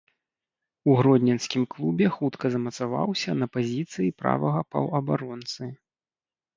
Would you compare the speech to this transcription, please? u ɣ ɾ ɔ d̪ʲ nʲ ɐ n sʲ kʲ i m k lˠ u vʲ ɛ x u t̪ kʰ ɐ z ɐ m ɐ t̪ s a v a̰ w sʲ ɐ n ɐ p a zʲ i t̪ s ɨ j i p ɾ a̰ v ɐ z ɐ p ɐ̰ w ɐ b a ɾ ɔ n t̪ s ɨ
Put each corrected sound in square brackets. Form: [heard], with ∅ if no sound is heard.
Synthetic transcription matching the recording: u ɣ ɾ ɔ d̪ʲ nʲ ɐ n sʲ kʲ i m k lˠ u [bʲ] ɛ x u t̪ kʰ ɐ z ɐ m ɐ t̪ s a v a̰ w sʲ ɐ n ɐ p a zʲ i t̪ s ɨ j i p ɾ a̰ v ɐ [ɣ] ɐ p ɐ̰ w ɐ b a ɾ ɔ n t̪ s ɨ